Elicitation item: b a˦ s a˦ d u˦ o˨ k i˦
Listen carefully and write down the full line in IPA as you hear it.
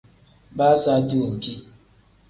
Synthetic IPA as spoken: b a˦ s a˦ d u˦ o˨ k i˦

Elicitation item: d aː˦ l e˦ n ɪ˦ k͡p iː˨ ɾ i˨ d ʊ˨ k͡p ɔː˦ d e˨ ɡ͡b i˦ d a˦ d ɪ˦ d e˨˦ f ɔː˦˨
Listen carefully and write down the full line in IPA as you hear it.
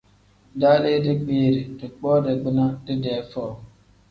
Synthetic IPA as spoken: d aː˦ l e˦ d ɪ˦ k͡p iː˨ ɾ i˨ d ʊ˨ k͡p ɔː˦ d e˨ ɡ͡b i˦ n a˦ d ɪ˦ d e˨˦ f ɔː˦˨

